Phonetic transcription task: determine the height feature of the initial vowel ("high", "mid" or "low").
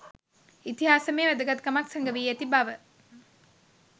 high